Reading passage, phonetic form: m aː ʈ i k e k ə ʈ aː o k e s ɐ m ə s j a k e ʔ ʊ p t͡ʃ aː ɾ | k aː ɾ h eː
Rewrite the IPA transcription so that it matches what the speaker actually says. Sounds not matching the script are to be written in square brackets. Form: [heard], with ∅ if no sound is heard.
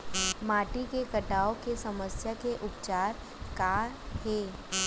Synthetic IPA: m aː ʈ i k e k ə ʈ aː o k e s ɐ m ə s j a k e ʔ ʊ p t͡ʃ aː ɾ | k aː ɾ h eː